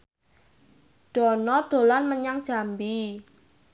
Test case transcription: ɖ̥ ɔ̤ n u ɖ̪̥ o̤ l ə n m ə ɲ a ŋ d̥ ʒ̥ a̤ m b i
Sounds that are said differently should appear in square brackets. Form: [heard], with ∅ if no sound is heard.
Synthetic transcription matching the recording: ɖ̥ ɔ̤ n [ɔ] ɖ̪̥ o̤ l [a] n m ə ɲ a ŋ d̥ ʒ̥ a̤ m b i